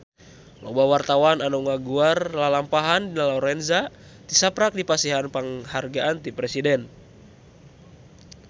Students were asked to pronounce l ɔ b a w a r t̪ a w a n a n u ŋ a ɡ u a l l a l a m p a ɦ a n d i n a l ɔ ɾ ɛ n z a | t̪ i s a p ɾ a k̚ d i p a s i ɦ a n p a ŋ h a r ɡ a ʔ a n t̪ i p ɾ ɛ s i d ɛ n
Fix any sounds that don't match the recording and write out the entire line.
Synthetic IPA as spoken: l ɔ b a w a r t̪ a w a n a n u ŋ a ɡ u a r l a l a m p a ɦ a n d i n a l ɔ ɾ ɛ n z a | t̪ i s a p ɾ a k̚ d i p a s i ɦ a n p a ŋ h a r ɡ a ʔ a n t̪ i p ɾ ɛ s i d ɛ n